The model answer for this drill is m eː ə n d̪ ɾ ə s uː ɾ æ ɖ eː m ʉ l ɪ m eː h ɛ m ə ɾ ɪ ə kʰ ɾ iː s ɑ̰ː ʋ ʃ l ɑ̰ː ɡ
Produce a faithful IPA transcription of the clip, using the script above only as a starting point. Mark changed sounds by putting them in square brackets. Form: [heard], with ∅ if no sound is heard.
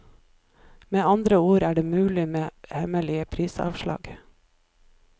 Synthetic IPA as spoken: m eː [ɑ] n d̪ ɾ ə [∅] uː ɾ [æː] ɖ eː m [ʉː] l ɪ m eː h ɛ m ə [l] ɪ ə [pʰ] ɾ iː s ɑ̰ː ʋ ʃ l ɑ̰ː ɡ